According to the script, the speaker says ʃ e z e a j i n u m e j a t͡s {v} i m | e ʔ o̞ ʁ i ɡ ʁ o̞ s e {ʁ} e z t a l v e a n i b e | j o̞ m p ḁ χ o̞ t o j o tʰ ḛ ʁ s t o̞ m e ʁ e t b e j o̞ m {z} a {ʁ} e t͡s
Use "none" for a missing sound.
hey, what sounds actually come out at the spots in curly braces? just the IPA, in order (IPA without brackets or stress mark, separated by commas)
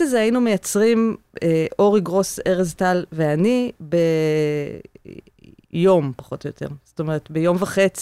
ʁ, ʁ, v, χ